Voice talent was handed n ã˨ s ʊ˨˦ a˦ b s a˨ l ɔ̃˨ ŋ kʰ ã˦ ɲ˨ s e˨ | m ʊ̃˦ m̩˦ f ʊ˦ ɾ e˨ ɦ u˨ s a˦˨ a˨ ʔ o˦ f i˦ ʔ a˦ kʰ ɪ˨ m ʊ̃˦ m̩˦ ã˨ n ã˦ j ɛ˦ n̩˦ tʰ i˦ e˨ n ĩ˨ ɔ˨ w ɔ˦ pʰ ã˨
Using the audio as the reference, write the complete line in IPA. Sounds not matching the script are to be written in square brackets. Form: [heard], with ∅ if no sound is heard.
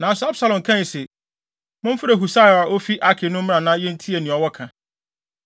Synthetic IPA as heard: n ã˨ s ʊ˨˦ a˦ b s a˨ l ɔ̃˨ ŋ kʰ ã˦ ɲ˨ s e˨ | m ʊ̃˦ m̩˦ f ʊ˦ ɾ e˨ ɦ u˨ s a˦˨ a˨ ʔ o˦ f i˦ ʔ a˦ kʰ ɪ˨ [n] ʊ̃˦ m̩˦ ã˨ n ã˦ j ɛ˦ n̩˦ tʰ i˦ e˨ n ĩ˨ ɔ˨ w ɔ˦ [kʰ] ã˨

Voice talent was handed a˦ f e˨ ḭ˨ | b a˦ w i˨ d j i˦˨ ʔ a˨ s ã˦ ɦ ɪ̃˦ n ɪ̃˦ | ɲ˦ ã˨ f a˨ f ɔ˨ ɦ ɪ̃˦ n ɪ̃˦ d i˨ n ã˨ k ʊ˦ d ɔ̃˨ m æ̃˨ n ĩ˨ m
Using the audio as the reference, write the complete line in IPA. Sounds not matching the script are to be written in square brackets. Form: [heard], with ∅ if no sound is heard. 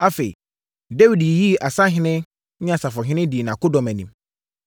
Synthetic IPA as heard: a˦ f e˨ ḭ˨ | [d] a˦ w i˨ d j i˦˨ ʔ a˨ s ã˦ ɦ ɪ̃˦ n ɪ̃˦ | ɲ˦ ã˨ [s] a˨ f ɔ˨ ɦ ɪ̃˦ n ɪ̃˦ d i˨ n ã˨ k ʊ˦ d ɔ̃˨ m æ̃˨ n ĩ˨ m

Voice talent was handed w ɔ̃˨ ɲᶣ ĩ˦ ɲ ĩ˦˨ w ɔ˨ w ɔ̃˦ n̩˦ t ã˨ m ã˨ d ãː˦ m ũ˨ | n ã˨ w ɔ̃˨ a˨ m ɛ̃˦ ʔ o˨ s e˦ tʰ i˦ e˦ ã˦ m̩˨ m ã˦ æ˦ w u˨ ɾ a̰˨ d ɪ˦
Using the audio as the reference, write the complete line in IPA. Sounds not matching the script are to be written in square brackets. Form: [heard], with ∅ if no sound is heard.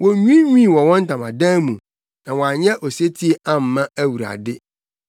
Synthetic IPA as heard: w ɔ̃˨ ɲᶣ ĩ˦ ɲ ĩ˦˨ w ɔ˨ w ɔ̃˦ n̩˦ t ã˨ m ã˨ d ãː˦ m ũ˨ | n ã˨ w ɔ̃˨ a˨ [ɲ] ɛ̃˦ ʔ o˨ s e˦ tʰ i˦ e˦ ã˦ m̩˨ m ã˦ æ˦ w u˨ ɾ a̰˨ d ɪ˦

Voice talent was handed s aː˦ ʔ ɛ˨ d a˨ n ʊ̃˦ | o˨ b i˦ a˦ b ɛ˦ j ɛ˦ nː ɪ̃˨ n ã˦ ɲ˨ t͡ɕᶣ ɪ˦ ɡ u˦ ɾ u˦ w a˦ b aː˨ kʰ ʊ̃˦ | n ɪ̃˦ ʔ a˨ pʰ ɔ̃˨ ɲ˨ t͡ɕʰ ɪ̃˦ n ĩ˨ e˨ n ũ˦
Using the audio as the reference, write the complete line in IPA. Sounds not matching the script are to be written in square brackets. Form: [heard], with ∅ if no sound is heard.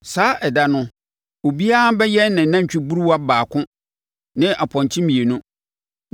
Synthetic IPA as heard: s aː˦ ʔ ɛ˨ d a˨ n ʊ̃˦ | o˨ b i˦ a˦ b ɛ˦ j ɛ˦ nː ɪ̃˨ n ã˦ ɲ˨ t͡ɕᶣ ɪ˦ [b] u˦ ɾ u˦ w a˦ b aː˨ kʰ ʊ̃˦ | n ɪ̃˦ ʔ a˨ pʰ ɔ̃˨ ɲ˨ t͡ɕʰ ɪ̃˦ [m] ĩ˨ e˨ n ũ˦

